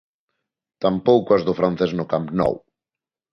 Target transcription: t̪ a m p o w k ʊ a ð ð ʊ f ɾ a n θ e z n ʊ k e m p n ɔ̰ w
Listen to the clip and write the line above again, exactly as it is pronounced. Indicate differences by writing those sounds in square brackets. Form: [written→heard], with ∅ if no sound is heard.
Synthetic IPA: t̪ a m p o w k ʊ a [ð→z] ð ʊ f ɾ a n θ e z n ʊ k [e→a] m p n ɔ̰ w